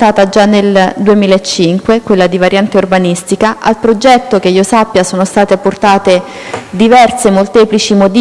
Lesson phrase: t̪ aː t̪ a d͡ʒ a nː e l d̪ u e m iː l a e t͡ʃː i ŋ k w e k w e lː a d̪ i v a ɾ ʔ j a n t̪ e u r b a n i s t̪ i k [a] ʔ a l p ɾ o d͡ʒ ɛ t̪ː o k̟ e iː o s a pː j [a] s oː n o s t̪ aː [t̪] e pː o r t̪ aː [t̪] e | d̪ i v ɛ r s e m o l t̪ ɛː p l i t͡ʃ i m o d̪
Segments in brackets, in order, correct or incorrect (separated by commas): correct, correct, correct, correct